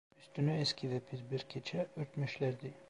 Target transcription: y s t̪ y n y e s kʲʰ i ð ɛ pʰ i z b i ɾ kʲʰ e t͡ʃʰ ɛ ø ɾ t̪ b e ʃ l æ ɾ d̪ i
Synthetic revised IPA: y s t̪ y n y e s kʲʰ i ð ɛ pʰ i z b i ɾ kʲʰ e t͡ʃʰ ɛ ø ɾ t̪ m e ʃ l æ ɾ d̪ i